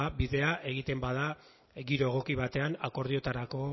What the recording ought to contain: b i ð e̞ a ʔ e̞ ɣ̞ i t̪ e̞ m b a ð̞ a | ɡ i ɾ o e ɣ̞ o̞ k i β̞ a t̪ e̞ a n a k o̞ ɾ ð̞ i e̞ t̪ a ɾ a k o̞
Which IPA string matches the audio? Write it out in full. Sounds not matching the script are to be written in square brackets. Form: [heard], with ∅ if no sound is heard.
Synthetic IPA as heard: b i ð e̞ a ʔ e̞ ɣ̞ i t̪ e̞ m b a ð̞ a | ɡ i ɾ o e ɣ̞ o̞ k i β̞ a t̪ e̞ a n a k o̞ ɾ ð̞ i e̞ t̪ a ɾ a k o̞